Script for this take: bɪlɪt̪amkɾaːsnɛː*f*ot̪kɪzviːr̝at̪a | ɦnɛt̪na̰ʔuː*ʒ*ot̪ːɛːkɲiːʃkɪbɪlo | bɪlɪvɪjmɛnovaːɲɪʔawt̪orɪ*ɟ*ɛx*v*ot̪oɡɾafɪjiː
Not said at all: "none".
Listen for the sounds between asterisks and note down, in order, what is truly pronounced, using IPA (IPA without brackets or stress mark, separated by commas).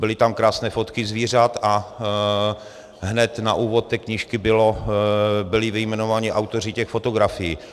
f, v, c, f